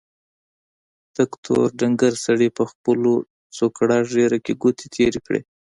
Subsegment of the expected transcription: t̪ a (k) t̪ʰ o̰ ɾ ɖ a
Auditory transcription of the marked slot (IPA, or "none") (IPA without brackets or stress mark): k